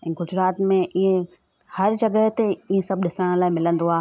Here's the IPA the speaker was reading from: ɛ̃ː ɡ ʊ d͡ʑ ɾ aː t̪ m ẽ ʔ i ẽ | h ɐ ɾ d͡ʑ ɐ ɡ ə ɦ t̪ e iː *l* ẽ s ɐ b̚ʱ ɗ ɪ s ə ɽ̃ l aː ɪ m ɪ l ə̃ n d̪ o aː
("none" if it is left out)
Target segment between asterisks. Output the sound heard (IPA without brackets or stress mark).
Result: none